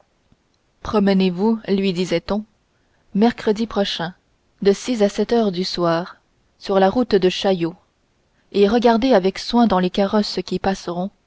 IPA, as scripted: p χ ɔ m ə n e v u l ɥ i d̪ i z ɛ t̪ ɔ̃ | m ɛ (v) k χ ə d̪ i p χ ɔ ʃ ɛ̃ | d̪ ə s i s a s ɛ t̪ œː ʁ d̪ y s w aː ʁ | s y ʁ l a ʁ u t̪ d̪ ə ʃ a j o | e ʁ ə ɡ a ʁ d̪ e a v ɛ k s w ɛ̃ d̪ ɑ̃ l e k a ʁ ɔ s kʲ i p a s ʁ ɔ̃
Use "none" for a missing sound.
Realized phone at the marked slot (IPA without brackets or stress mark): ʁ